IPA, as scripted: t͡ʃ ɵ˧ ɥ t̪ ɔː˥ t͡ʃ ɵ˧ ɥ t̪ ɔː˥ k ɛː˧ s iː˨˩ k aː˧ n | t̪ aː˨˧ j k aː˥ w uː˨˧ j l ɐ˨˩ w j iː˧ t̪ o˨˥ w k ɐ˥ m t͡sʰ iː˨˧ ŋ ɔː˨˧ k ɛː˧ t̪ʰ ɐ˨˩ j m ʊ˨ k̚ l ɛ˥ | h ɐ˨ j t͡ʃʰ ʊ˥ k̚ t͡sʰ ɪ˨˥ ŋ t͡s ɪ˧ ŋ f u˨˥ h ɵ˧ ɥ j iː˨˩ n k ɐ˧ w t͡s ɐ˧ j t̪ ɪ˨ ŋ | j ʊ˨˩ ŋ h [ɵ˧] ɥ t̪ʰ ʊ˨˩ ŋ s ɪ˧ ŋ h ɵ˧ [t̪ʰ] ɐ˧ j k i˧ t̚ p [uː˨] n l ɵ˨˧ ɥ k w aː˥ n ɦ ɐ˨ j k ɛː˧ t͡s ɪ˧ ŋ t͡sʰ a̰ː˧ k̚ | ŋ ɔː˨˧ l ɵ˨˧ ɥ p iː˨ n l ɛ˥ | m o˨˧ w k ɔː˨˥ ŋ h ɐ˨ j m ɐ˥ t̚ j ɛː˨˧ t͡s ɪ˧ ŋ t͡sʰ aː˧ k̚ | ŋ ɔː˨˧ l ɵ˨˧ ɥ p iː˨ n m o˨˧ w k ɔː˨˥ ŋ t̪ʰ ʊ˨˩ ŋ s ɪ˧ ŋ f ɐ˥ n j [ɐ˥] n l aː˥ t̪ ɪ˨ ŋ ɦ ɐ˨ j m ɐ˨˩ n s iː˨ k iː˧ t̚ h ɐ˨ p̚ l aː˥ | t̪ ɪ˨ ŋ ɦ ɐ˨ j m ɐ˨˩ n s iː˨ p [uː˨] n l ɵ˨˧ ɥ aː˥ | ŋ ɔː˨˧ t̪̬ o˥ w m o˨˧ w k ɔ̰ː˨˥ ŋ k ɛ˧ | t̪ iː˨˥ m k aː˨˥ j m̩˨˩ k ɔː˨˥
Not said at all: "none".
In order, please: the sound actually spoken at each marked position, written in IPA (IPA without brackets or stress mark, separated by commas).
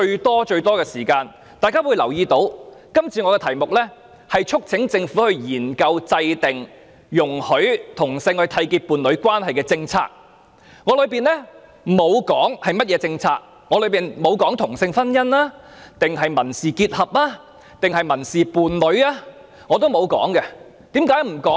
ɵ˨˥, t̪ʰ, uː˨, ɐ˥, uː˨